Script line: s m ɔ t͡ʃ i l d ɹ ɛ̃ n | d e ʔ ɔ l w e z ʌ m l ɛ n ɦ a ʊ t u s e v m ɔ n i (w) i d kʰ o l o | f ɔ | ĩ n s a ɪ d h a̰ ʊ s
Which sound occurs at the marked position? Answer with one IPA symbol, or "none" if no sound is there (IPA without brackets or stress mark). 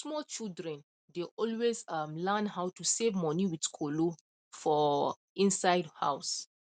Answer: w